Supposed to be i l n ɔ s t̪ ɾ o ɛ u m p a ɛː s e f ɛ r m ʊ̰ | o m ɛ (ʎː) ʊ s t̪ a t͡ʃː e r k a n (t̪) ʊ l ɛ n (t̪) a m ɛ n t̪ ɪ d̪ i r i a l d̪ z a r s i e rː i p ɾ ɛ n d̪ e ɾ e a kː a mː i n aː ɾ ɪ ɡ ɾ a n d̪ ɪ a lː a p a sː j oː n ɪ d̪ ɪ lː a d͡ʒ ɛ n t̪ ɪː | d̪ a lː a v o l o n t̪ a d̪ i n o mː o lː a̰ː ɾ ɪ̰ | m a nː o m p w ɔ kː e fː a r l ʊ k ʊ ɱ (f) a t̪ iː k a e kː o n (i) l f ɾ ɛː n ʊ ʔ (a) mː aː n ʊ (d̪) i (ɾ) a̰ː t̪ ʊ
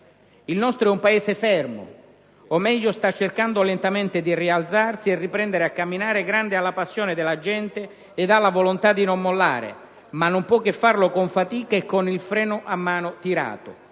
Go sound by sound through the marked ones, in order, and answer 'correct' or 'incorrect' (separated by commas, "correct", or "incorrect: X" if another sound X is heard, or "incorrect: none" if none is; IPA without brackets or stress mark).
correct, incorrect: d̪, correct, correct, correct, correct, incorrect: t̪, correct